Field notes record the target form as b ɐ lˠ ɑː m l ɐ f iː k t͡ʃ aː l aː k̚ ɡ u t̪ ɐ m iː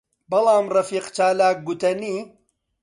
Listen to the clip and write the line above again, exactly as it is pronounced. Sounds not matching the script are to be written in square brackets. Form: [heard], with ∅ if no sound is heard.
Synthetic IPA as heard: b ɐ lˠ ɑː m [r] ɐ f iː [q] t͡ʃ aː l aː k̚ ɡ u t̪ ɐ [n] iː